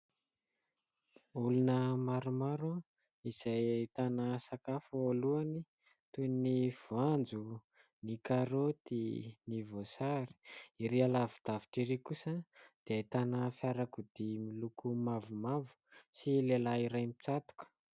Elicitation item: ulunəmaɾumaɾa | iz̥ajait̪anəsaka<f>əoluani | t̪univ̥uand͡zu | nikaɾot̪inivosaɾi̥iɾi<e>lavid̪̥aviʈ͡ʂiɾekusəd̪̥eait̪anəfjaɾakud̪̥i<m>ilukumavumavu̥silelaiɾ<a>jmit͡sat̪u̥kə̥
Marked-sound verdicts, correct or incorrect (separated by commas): correct, incorrect, correct, correct